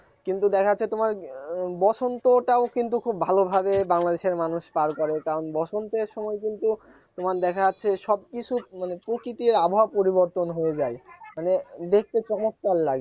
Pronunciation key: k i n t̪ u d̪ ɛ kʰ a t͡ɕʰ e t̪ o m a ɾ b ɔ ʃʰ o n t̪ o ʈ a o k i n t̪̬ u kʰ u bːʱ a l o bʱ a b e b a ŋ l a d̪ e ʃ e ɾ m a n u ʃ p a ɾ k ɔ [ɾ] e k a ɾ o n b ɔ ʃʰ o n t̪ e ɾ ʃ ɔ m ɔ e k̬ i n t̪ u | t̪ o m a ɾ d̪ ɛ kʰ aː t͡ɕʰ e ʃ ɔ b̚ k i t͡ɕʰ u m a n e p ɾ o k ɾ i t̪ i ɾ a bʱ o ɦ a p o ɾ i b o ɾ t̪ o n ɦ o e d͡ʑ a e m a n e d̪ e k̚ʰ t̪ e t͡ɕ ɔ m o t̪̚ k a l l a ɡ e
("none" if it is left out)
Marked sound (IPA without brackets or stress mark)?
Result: ɾ